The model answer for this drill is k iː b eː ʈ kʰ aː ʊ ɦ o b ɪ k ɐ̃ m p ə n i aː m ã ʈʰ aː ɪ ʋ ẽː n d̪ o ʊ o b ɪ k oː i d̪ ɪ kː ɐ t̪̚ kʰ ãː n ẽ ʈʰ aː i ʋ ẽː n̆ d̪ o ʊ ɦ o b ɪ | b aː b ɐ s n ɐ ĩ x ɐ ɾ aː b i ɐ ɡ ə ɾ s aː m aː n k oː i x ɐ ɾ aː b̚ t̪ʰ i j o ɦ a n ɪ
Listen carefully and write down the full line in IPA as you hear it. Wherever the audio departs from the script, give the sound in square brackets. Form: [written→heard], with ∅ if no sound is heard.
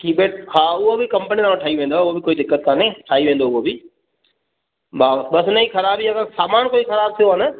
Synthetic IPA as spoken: k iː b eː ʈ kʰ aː ʊ ɦ o b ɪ k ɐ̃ m p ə n i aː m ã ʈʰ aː [ɪ→i] ʋ ẽː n d̪ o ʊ o b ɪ k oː i d̪ ɪ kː [ɐ→ə] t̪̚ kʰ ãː n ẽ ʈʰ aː i ʋ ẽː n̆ d̪ o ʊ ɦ o b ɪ | b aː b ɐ s n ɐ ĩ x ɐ ɾ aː b i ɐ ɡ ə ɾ s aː m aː n k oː i x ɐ ɾ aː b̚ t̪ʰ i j o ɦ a n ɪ